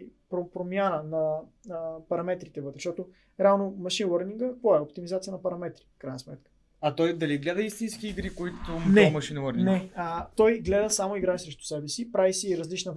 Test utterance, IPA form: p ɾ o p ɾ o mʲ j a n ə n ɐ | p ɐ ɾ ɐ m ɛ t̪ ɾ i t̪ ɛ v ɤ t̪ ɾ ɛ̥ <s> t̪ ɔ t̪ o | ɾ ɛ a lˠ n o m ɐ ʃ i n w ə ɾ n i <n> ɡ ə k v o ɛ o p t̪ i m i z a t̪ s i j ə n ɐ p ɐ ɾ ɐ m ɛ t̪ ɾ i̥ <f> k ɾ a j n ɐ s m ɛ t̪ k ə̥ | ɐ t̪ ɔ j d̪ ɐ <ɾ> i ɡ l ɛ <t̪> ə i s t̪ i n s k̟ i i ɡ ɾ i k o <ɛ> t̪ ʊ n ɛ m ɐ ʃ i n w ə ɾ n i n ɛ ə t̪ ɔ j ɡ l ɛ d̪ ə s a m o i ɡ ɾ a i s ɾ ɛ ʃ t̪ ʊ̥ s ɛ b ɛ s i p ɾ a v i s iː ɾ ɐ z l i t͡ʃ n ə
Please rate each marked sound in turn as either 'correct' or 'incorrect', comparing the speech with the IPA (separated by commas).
incorrect, incorrect, correct, incorrect, incorrect, incorrect